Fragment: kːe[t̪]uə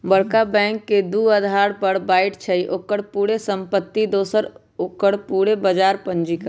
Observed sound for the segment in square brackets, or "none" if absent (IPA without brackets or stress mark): d̪